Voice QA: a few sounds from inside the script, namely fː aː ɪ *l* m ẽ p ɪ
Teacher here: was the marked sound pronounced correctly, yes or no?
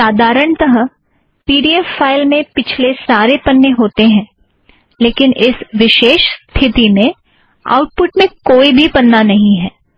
yes